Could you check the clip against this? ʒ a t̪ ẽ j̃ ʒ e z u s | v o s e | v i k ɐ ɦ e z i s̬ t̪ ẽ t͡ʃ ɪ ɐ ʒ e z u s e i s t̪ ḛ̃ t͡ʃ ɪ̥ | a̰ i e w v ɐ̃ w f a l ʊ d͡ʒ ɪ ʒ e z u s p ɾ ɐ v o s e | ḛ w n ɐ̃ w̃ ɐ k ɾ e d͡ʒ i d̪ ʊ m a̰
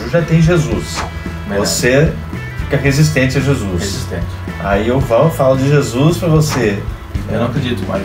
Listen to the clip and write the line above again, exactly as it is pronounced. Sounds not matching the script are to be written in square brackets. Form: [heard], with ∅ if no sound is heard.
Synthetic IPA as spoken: ʒ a t̪ ẽ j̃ ʒ e z u s | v o s e | [f] i k ɐ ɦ e z i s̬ t̪ ẽ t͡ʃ ɪ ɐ ʒ e z u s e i s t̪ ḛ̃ t͡ʃ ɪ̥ | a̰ i e w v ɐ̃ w f a l ʊ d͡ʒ ɪ ʒ e z u s p ɾ ɐ v o s e | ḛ w n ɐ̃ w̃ ɐ k ɾ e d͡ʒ i [t̪] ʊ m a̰